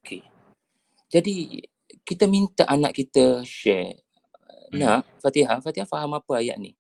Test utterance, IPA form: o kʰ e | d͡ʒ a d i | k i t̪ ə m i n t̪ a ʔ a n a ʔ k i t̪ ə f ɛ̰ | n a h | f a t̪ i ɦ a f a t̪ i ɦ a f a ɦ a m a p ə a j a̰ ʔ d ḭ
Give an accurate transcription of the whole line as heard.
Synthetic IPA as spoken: o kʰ e | d͡ʒ a d i | k i t̪ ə m i n t̪ a ʔ a n a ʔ k i t̪ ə ʃ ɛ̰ | n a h | f a t̪ i ɦ a f a t̪ i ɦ a f a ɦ a m a p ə a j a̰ ʔ n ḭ